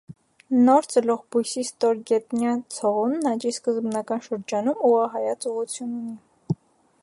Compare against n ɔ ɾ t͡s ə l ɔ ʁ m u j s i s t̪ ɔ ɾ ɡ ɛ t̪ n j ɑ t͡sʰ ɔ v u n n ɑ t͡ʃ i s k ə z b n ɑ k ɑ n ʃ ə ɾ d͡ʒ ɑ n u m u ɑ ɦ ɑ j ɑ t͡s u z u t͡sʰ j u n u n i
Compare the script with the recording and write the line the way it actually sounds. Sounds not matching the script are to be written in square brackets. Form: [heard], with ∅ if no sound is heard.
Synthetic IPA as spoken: n ɔ ɾ t͡s ə l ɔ ʁ [b] u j s i s t̪ ɔ ɾ ɡ ɛ t̪ n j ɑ t͡sʰ ɔ [ʁ] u n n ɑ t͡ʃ i s k ə z b n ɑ k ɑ n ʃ ə ɾ d͡ʒ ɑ n u m u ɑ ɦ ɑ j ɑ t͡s u [ʁ] u t͡sʰ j u n u n i